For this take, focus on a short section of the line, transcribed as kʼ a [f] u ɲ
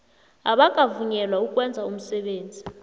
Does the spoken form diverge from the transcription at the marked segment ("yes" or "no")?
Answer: yes